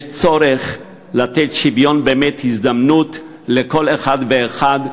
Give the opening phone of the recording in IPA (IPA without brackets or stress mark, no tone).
t͡s